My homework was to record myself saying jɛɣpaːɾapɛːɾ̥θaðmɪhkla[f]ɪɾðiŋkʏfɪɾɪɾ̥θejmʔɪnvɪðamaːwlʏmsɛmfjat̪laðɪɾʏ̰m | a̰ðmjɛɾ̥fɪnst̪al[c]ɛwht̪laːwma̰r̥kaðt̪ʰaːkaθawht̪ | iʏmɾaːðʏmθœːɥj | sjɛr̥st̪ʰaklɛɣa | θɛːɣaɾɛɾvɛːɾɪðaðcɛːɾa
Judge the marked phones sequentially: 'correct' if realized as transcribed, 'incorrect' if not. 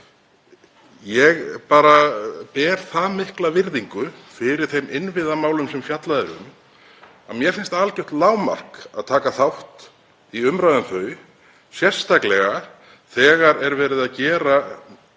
incorrect: v, correct

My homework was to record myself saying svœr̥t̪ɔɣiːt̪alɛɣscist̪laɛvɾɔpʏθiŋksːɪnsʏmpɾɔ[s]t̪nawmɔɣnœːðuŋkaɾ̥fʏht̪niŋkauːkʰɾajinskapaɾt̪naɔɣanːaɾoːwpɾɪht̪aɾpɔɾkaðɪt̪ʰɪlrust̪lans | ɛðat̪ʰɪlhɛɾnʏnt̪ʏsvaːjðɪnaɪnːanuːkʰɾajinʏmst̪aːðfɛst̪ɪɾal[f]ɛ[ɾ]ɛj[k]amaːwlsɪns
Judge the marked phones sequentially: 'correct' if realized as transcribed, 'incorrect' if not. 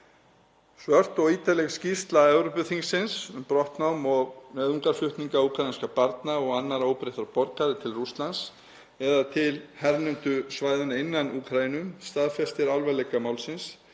incorrect: h, incorrect: v, incorrect: l, correct

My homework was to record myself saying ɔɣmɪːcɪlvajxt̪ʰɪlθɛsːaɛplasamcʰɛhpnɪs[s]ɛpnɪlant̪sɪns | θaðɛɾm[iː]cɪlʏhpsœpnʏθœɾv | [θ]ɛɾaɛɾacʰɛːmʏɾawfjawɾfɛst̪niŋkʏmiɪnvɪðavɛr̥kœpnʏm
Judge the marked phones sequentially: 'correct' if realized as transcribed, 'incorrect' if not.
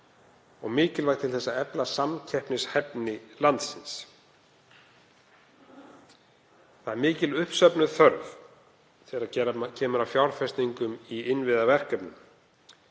incorrect: h, incorrect: ɪː, correct

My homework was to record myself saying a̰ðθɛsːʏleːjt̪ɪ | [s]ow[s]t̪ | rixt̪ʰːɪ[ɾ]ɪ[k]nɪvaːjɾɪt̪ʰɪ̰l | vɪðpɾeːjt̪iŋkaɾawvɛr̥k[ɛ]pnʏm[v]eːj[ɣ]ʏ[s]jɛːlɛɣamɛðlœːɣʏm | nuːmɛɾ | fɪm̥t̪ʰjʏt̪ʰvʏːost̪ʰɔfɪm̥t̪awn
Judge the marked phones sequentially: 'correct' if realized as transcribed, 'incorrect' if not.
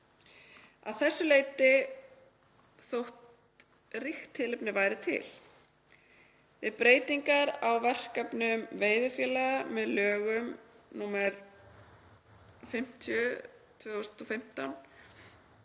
incorrect: θ, incorrect: h, incorrect: l, incorrect: p, incorrect: a, correct, incorrect: ð, incorrect: f

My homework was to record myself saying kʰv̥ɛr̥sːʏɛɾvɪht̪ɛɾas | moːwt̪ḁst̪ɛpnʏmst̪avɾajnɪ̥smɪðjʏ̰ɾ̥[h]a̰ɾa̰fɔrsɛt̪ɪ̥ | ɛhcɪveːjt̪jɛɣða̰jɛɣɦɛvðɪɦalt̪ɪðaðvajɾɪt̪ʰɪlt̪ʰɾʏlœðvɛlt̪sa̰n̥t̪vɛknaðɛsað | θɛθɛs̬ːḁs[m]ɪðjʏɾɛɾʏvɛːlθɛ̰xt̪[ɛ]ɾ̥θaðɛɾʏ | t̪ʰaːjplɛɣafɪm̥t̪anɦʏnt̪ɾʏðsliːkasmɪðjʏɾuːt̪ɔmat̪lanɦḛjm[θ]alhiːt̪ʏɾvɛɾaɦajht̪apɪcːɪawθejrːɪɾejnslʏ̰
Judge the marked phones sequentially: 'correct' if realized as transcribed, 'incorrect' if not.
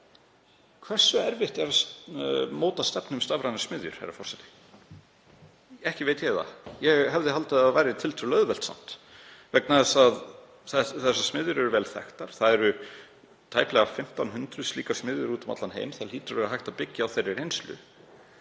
correct, correct, incorrect: a, correct

